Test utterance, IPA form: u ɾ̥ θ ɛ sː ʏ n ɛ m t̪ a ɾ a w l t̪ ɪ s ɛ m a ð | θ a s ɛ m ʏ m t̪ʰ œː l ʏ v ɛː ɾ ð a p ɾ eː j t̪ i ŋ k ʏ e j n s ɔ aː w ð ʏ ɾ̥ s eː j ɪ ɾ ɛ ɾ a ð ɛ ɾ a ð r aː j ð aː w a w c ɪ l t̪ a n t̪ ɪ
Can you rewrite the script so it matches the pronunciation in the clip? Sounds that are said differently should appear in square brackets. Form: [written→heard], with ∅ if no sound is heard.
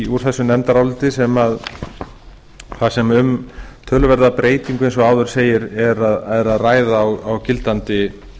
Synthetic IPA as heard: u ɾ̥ θ ɛ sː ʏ n ɛ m t̪ a ɾ a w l t̪ ɪ s ɛ m a ð | θ a s ɛ m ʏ m t̪ʰ œː l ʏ v [ɛː→ɛ] ɾ ð a p ɾ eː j t̪ i ŋ k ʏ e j n s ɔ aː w ð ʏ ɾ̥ s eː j ɪ ɾ ɛ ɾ a ð ɛ ɾ a ð r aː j ð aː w a w c ɪ l t̪ a n t̪ ɪ